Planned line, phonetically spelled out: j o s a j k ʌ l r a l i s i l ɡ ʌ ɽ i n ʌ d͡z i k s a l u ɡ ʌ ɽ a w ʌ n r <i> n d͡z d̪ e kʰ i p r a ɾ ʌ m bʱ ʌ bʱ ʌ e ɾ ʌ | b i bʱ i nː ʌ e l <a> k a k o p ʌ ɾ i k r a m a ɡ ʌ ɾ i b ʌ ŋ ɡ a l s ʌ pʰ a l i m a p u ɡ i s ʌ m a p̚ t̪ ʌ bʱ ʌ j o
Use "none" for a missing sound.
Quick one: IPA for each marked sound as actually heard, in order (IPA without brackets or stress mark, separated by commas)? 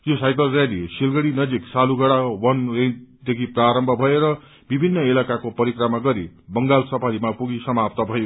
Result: e, a